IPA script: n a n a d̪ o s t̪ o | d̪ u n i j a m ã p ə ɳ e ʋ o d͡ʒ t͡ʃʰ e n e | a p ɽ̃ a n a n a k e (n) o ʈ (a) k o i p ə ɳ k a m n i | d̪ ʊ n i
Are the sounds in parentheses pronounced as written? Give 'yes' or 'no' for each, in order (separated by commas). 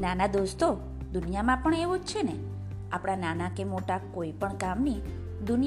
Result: no, yes